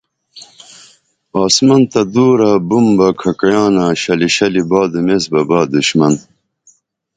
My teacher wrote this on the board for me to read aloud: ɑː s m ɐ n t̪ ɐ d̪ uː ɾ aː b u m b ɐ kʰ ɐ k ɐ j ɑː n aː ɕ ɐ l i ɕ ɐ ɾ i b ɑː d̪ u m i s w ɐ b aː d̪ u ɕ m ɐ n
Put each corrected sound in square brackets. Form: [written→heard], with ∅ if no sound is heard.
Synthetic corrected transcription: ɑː s m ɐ n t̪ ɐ d̪ uː ɾ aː b u m b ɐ kʰ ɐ k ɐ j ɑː n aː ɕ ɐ l i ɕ ɐ [ɾ→l] i b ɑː d̪ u m [i→e] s [w→b] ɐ b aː d̪ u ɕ m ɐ n